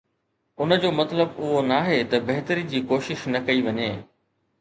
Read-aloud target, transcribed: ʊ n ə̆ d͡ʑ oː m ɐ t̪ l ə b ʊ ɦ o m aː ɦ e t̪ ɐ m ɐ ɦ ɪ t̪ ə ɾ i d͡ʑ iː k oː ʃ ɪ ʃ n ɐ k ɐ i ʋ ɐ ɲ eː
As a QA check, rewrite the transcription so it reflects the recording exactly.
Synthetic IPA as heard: ʊ n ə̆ d͡ʑ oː m ɐ t̪ l ə b ʊ ɦ o n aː ɦ e t̪ ɐ b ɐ ɦ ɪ t̪ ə ɾ i d͡ʑ iː k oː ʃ ɪ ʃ n ɐ k ɐ i ʋ ɐ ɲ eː

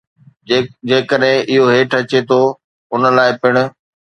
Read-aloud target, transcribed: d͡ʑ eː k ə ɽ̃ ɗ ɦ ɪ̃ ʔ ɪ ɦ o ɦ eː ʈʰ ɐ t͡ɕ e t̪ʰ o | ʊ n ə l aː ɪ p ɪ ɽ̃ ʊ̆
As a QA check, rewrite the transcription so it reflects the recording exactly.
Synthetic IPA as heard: d͡ʑ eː k ə ɗ ɦ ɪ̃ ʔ ɪ ɦ o ɦ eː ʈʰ ɐ t͡ɕ e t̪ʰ o | ʊ n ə l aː ɪ p ɪ ɽ̃ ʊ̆

